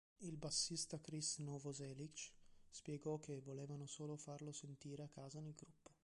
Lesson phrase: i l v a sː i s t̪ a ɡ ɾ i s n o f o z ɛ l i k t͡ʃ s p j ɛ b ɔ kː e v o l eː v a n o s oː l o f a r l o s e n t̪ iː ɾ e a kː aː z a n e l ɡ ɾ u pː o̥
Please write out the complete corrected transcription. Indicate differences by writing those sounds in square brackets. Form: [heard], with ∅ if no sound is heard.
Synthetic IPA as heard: i l [b] a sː i s t̪ a [k] ɾ i s n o [v] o z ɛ l i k t͡ʃ s p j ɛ [ɡ] ɔ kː e v o l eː v a n o s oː l o f a r l o s e n t̪ iː ɾ e a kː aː z a n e l ɡ ɾ u pː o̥